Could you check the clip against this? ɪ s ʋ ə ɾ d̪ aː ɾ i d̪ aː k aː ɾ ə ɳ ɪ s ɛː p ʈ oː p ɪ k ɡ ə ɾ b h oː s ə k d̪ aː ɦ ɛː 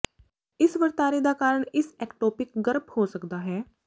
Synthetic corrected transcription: ɪ s ʋ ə ɾ t̪ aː ɾ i d̪ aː k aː ɾ ə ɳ ɪ s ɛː k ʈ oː p ɪ k ɡ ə ɾ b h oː s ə k d̪ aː ɦ ɛː

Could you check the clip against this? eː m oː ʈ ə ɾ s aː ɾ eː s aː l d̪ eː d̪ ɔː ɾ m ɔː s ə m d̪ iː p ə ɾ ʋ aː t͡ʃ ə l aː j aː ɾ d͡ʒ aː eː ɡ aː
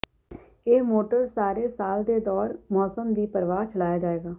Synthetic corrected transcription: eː m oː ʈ ə ɾ s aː ɾ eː s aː l d̪ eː d̪ ɔː ɾ m ɔː s ə m d̪ iː p ə ɾ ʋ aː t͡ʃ ə l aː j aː d͡ʒ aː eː ɡ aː

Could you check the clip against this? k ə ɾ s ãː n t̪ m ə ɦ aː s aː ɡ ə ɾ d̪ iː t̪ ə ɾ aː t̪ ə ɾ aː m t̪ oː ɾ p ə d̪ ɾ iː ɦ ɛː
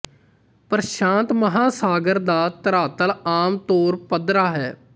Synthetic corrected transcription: p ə ɾ ʃ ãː n t̪ m ə ɦ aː s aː ɡ ə ɾ d̪ aː t̪ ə ɾ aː t̪ ə l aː m t̪ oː ɾ p ə d̪ ɾ aː ɦ ɛː

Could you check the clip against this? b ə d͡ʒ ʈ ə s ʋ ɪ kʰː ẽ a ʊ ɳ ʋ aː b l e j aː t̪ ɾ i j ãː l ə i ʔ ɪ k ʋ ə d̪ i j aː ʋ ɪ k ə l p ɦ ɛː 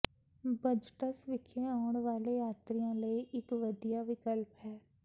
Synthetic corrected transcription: b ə d͡ʒ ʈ ə s ʋ ɪ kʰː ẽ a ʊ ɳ ʋ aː l e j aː t̪ ɾ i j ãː l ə i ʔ ɪ k ʋ ə d̪ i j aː ʋ ɪ k ə l p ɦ ɛː

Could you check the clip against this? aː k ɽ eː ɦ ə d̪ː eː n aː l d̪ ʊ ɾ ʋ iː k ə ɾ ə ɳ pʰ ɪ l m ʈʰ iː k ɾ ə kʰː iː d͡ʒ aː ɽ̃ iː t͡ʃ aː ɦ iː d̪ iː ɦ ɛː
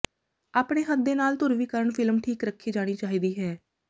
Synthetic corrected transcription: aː p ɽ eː ɦ ə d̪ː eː n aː l t̪ ʊ ɾ ʋ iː k ə ɾ ə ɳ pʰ ɪ l m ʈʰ iː k ɾ ə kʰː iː d͡ʒ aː ɽ̃ iː t͡ʃ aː ɦ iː d̪ iː ɦ ɛː

